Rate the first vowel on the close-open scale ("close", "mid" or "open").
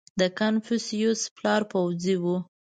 mid